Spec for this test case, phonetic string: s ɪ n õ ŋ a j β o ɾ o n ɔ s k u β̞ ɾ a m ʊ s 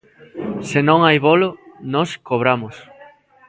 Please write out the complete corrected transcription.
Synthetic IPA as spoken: s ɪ n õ ŋ a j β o l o n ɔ s k o β̞ ɾ a m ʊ s